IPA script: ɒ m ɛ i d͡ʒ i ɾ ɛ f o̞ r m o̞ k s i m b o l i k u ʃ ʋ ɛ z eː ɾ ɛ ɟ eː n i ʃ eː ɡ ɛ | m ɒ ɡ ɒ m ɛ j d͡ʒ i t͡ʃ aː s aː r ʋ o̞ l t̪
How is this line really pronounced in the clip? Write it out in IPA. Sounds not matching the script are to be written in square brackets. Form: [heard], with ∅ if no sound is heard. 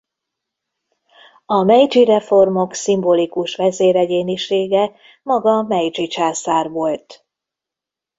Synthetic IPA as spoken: ɒ m ɛ [j] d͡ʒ i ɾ ɛ f o̞ r m o̞ k s i m b o l i k u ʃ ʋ ɛ z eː ɾ ɛ ɟ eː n i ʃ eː ɡ ɛ | m ɒ ɡ ɒ m ɛ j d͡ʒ i t͡ʃ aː s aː r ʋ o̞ l t̪